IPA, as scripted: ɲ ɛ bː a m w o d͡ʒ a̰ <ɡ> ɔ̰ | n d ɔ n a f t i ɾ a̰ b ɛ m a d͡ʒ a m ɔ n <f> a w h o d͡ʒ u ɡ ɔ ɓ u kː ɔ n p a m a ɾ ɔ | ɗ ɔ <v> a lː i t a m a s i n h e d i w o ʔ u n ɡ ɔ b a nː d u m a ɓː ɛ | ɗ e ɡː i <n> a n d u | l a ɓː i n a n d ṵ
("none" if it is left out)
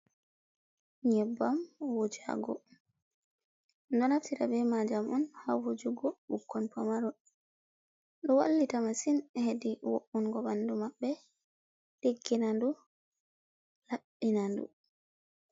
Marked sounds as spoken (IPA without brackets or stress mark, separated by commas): ɡ, h, w, n